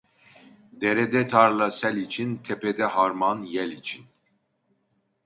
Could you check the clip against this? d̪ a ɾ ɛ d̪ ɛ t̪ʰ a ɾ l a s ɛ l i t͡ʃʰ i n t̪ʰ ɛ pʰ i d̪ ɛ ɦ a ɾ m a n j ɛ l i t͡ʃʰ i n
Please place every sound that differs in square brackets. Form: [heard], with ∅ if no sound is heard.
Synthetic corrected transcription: d̪ [ɛ] ɾ ɛ d̪ ɛ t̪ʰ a ɾ l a s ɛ l i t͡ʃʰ i n t̪ʰ ɛ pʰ [ɛ] d̪ ɛ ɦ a ɾ m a n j ɛ l i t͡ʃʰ i n

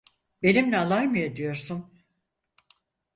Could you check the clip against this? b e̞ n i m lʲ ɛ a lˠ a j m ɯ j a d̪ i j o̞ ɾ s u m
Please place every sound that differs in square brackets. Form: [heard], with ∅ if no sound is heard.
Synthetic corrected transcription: b e̞ n i m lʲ ɛ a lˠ a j m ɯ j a d̪ i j o̞ ɾ s u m

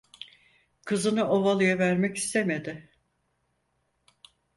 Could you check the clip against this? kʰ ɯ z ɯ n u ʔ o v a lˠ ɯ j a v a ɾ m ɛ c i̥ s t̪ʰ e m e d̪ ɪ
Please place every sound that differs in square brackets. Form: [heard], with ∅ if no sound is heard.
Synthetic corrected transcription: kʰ ɯ z ɯ n [ɯ] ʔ o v a lˠ ɯ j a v [æ] ɾ m ɛ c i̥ s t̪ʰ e m e d̪ ɪ

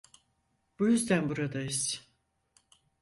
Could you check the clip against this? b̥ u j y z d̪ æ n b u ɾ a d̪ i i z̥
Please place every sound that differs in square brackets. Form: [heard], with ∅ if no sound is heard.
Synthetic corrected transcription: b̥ u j y z d̪ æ n b u ɾ a d̪ [a] i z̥

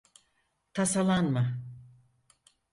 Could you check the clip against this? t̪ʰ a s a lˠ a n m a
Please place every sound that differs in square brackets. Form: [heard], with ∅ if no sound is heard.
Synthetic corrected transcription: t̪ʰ a s a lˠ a n m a

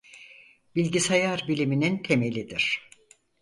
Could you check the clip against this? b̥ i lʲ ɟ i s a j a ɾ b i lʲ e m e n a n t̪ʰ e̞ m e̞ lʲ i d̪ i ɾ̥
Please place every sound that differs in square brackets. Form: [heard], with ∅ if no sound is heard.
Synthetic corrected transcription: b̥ i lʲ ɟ i s a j a ɾ b i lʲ [i] m [i] n [i] n t̪ʰ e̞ m e̞ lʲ i d̪ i ɾ̥

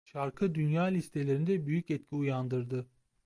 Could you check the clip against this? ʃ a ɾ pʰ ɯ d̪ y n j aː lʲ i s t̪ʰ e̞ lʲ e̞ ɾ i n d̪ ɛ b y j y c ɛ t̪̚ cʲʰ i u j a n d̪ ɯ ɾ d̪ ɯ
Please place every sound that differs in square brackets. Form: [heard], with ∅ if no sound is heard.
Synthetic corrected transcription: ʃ a ɾ [kʰ] ɯ d̪ y n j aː lʲ i s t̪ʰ e̞ lʲ e̞ ɾ i n d̪ ɛ b y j y c ɛ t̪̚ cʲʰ i u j a n d̪ ɯ ɾ d̪ ɯ

